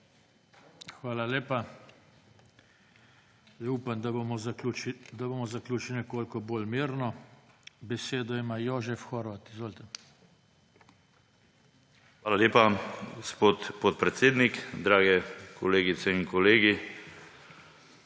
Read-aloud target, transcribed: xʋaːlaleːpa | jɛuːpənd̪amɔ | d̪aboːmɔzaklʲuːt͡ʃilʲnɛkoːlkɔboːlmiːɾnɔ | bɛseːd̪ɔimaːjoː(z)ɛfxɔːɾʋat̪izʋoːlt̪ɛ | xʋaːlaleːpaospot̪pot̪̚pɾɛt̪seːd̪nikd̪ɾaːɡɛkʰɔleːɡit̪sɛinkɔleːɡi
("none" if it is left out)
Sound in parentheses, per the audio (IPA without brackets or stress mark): ʒ